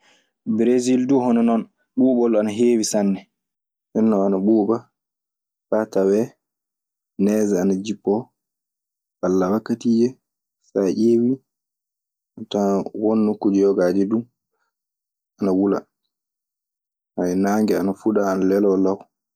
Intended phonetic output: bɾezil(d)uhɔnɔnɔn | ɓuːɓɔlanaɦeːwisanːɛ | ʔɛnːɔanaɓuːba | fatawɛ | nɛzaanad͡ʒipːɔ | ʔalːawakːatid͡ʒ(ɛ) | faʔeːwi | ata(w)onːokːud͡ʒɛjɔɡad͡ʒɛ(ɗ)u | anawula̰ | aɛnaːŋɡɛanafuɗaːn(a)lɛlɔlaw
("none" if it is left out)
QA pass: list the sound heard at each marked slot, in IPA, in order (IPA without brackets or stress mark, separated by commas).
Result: d, ɛ, w, d, a